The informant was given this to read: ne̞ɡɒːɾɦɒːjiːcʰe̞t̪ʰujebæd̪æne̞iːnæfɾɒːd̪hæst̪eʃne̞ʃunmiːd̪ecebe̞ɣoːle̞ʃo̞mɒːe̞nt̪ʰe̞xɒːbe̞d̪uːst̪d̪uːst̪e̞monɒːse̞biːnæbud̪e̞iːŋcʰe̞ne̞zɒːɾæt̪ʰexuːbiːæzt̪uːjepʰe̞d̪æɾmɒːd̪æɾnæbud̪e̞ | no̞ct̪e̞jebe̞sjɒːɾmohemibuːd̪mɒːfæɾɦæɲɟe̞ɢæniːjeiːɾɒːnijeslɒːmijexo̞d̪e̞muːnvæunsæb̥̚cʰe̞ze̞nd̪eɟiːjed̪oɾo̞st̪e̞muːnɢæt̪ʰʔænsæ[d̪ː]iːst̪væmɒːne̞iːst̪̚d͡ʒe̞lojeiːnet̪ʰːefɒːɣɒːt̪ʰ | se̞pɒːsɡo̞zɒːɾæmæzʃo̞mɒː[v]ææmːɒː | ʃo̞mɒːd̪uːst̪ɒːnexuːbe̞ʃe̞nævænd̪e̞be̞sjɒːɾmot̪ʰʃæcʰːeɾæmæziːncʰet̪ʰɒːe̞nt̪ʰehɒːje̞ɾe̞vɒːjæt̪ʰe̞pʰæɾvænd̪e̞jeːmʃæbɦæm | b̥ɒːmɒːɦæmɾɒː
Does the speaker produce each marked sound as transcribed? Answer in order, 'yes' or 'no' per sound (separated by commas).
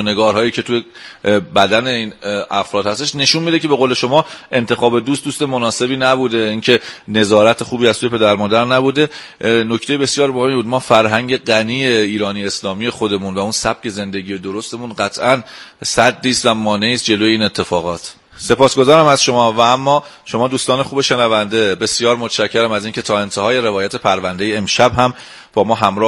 yes, yes